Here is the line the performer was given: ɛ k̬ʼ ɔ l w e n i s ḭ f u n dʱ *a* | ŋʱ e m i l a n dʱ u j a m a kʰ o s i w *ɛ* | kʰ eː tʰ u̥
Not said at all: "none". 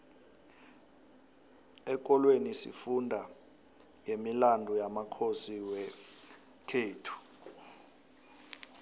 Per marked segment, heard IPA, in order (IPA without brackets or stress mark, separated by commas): a, ɛ